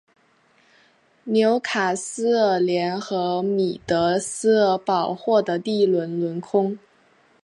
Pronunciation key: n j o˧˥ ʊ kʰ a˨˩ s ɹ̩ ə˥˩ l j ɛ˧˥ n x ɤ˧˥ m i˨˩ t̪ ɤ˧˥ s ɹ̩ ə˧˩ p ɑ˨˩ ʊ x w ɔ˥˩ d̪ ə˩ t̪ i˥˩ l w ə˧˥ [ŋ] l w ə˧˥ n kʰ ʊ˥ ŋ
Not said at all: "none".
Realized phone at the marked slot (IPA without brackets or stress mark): n